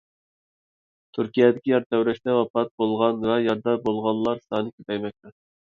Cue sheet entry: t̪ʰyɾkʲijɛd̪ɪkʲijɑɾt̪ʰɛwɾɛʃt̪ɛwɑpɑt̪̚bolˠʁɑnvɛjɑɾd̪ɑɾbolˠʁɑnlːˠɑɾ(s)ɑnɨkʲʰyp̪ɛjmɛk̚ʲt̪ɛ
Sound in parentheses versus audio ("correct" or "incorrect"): correct